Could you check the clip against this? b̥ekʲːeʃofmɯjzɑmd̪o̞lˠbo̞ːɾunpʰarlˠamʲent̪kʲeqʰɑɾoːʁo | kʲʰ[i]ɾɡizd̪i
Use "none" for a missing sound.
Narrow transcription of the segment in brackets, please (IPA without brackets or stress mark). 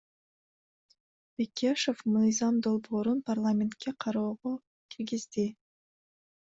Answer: i